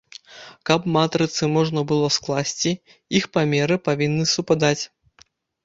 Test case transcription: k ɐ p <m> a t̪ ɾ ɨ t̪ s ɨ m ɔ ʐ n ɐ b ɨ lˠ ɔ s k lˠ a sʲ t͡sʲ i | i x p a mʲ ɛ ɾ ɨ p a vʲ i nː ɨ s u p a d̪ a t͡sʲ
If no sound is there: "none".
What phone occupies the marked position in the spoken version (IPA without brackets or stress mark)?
m